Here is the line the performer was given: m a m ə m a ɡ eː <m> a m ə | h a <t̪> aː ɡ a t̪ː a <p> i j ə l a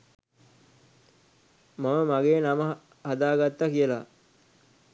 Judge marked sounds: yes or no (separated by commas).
no, no, no